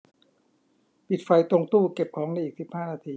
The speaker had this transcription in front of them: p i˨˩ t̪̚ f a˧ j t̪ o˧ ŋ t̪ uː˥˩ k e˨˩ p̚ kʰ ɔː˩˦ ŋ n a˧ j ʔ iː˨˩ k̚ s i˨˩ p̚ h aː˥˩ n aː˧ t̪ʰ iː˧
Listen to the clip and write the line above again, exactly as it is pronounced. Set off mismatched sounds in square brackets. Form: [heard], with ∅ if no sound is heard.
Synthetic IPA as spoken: p i˨˩ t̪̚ f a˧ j t̪ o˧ ŋ t̪ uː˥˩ k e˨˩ p̚ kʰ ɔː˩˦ ŋ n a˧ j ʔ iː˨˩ k̚ s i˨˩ p̚ h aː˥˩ n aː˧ t̪ʰ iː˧